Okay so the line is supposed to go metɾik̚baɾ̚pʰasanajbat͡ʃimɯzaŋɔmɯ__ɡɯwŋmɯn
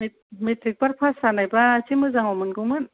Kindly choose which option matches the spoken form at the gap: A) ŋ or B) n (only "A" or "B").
B